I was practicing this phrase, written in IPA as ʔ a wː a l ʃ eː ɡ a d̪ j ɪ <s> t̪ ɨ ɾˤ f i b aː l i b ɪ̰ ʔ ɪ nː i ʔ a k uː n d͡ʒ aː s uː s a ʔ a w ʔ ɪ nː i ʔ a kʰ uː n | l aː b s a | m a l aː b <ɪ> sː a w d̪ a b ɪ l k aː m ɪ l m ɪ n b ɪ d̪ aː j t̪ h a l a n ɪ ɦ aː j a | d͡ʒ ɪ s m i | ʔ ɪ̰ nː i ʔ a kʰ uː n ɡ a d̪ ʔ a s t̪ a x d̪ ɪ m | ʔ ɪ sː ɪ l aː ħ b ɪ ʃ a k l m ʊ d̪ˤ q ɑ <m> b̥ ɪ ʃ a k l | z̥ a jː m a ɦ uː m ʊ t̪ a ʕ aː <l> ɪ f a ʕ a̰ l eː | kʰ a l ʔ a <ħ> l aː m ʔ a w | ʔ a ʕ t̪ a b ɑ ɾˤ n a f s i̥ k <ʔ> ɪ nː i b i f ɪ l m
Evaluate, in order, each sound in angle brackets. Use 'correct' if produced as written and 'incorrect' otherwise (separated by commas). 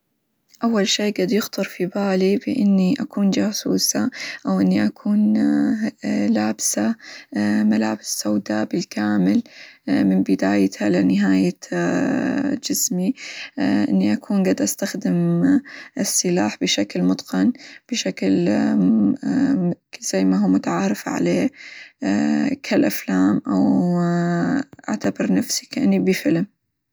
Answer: incorrect, correct, incorrect, incorrect, incorrect, correct